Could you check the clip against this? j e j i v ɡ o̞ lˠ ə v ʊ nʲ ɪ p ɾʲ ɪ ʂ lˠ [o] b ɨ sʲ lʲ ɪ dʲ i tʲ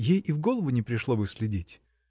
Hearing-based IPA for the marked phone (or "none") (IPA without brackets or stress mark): o